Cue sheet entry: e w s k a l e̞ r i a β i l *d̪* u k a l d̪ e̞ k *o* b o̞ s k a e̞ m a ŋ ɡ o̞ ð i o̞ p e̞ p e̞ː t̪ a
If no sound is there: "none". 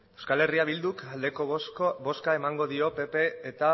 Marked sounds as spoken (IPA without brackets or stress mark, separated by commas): d̪, o